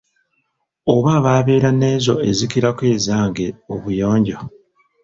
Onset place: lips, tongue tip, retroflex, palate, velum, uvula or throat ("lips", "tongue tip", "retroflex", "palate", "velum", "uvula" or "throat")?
lips